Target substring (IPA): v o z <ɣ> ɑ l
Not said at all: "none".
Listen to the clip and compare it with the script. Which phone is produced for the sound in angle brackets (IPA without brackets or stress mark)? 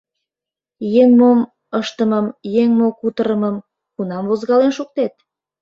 ɣ